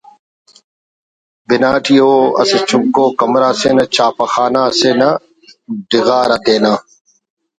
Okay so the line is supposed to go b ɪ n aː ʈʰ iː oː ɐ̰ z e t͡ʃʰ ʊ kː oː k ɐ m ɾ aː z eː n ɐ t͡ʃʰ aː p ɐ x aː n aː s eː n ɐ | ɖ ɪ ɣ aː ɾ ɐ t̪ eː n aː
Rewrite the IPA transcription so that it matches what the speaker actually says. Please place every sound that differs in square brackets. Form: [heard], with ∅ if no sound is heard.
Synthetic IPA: b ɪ n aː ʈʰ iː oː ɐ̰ [s] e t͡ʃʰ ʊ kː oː k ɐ m ɾ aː [s] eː n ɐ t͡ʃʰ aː p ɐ x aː n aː s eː n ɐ | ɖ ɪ ɣ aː ɾ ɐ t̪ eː n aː